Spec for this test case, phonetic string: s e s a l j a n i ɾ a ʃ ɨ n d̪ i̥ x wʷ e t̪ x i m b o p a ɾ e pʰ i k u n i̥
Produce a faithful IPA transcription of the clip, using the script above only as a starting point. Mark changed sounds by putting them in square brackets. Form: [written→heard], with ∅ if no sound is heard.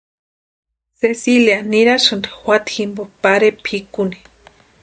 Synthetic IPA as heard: s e s [a→i] l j a n i ɾ a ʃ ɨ n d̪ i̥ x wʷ [e→a] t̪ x i m b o p a ɾ e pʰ i k u n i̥